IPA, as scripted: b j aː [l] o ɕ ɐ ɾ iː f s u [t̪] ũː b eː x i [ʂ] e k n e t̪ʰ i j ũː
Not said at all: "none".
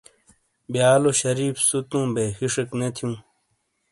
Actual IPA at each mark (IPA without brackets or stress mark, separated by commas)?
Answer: l, t̪, ʂ